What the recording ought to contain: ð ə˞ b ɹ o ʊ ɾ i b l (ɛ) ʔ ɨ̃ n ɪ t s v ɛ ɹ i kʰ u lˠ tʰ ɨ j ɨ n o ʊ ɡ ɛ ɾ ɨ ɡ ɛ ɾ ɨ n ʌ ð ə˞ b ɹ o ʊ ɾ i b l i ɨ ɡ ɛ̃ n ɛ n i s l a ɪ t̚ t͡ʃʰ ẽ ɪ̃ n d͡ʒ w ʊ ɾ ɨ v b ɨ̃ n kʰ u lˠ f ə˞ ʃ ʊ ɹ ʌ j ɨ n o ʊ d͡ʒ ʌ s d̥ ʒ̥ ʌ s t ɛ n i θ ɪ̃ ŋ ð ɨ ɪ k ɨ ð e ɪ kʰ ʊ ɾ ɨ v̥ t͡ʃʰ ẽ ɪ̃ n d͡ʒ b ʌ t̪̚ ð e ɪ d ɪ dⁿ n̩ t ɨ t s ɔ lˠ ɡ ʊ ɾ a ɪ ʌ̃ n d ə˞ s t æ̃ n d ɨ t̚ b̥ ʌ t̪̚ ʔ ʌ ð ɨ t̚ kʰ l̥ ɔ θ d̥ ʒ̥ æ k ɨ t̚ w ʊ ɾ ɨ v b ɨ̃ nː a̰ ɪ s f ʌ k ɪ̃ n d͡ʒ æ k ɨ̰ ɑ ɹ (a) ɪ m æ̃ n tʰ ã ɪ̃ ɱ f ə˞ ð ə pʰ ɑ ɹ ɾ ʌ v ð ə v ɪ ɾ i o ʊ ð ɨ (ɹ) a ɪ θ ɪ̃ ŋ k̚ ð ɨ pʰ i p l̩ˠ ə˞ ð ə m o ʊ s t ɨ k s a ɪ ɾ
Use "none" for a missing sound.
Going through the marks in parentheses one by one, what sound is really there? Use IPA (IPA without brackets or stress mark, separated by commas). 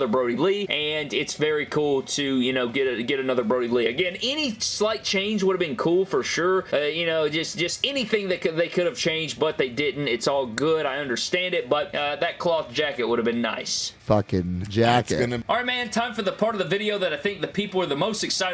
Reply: i, a, ɾ